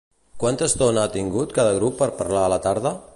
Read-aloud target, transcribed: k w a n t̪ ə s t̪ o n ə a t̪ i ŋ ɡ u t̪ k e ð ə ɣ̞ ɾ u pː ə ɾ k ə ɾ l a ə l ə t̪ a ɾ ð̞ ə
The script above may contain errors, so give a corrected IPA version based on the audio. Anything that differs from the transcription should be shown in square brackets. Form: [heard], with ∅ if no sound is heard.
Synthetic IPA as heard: k w a n t̪ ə s t̪ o n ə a t̪ i ŋ ɡ u t̪ k [a] ð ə ɣ̞ ɾ u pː ə ɾ [p] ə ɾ l a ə l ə t̪ a ɾ ð̞ ə